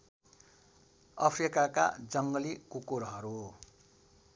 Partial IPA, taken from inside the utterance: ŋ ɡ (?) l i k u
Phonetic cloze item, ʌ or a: ʌ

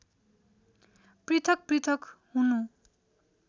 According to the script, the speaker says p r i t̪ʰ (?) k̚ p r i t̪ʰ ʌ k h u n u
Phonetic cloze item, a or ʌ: ʌ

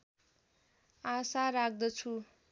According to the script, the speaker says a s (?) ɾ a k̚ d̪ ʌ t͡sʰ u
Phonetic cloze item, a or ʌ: a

